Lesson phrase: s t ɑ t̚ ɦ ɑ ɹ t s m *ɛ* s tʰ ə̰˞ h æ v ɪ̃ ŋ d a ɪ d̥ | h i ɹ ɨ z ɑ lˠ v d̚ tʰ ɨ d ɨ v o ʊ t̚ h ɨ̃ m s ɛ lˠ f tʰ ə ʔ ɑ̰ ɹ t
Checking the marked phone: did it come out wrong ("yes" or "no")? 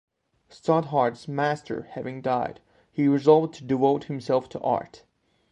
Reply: yes